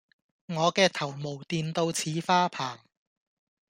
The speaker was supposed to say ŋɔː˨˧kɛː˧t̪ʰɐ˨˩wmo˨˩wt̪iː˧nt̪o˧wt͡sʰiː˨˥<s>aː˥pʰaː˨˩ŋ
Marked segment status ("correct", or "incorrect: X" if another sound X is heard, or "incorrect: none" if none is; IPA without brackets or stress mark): incorrect: f